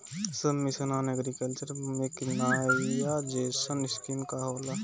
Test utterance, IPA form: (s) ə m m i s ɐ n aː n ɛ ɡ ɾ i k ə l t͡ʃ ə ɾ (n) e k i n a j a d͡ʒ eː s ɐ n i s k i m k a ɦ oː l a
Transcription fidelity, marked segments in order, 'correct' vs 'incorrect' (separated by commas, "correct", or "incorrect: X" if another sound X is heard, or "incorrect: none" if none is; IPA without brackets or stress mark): correct, incorrect: m